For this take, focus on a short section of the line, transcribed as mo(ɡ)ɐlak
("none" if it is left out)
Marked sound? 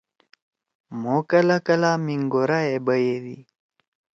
k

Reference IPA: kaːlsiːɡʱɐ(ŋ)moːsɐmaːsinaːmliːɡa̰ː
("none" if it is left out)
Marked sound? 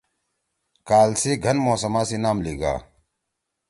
n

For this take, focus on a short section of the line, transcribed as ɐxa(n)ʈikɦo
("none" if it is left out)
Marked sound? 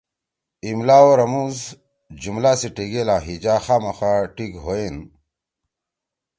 none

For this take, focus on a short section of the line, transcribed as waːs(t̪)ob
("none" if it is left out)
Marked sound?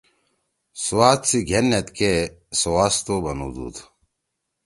t̪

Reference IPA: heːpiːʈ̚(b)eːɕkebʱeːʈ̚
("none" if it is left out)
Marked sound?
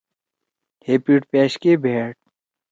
p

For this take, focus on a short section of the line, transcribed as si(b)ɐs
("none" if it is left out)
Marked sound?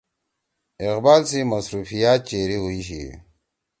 m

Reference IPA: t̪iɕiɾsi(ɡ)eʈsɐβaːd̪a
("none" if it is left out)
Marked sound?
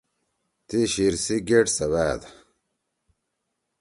ɡ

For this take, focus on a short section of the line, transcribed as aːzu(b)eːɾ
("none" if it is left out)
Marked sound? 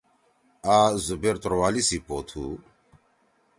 b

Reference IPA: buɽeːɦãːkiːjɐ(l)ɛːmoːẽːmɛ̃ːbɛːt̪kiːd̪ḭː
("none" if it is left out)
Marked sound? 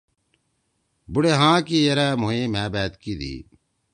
ɾ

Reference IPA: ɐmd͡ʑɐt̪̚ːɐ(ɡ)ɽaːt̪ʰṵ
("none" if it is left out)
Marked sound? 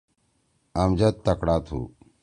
k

